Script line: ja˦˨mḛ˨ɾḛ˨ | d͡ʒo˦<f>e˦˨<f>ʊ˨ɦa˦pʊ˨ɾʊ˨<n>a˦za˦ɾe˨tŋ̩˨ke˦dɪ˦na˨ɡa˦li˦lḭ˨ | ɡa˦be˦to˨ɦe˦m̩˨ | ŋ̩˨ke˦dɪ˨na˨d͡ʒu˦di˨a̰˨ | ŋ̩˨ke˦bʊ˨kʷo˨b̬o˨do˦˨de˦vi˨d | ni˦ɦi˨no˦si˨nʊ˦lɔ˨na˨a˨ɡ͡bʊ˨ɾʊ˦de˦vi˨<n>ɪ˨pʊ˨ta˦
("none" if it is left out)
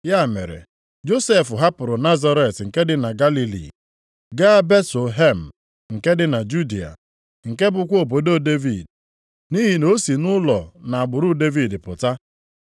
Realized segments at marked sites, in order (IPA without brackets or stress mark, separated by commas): s, f, n, d